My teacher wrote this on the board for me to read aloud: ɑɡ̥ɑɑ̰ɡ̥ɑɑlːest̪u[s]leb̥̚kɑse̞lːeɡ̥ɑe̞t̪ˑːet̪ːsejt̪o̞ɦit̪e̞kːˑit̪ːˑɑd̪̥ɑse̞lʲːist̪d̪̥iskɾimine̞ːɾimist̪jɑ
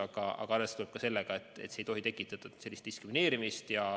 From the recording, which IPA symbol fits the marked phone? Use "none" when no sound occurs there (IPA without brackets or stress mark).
none